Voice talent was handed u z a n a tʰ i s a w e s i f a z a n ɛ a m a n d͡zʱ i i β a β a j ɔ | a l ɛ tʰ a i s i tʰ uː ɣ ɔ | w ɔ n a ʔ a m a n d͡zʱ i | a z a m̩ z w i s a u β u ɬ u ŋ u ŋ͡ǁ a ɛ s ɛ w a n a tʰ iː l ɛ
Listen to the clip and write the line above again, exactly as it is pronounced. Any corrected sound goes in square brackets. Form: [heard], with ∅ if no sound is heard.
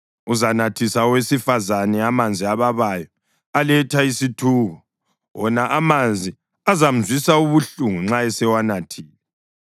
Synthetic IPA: u z a n a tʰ i s a w e s i f a z a n ɛ a m a n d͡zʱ i [a] β a β a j ɔ | a l ɛ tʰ a i s i tʰ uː ɣ ɔ | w ɔ n a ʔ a m a n d͡zʱ i | a z a m̩ z w i s a u β u ɬ u ŋ u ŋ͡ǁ a ɛ s ɛ w a n a tʰ iː l ɛ